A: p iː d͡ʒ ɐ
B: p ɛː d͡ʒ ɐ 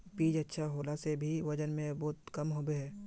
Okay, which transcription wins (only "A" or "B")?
A